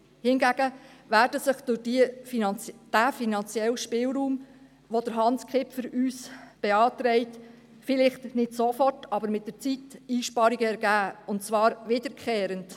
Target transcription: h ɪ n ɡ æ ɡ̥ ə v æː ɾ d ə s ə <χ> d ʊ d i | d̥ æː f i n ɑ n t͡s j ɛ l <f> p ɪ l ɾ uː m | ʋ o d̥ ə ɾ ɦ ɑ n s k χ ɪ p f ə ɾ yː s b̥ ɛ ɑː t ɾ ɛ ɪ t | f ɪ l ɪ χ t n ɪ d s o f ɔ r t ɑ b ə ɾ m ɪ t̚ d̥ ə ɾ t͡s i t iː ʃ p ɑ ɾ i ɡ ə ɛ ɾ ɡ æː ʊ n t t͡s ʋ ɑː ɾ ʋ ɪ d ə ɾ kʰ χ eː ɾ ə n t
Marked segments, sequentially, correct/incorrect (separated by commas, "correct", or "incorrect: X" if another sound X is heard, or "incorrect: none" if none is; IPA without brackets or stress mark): correct, incorrect: ʃ